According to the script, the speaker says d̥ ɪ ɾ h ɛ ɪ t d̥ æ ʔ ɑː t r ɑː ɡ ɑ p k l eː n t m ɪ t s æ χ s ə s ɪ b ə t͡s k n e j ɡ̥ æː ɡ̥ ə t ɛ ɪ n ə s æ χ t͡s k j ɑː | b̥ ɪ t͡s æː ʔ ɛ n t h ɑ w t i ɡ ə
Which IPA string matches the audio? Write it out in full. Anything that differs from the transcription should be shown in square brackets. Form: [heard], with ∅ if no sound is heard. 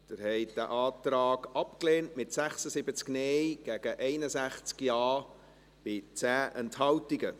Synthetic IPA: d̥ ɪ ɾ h ɛ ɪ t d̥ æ ʔ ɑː t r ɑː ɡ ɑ p k l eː n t m ɪ t s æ χ s ə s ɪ b ə t͡s k n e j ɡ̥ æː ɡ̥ ə [ʔ] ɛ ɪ n ə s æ χ t͡s k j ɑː | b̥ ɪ t͡s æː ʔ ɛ n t h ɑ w t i ɡ ə